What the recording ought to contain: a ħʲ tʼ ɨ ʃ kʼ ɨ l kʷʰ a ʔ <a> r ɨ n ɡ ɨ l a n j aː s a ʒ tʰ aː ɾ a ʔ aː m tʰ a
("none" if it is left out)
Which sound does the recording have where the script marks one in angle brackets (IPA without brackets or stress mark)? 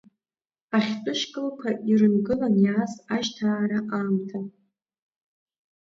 i